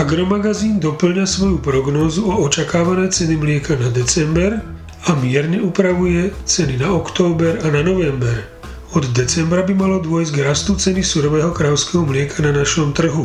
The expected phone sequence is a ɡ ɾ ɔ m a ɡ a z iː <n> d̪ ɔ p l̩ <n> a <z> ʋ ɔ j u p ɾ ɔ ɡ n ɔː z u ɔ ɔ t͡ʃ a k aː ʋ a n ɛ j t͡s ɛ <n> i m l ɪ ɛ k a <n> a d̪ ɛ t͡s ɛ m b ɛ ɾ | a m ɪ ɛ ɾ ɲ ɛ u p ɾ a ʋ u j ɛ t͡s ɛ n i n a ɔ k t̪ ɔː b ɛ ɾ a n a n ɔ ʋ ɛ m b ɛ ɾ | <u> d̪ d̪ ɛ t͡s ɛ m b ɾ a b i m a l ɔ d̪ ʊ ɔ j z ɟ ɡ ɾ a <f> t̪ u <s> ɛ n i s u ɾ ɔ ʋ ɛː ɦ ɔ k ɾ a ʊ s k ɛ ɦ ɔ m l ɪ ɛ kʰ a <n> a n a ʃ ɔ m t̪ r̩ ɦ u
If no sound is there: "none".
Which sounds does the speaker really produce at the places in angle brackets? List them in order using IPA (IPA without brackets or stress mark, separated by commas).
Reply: n, ɲ, s, n, n, ɔ, s, t͡s, n